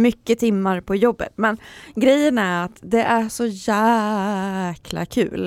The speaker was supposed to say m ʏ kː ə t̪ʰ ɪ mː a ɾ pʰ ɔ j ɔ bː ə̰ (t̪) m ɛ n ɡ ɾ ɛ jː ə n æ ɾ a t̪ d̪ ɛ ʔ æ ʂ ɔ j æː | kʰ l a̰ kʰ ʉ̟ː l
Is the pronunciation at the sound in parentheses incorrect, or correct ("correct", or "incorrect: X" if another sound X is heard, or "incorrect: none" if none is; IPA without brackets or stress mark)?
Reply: correct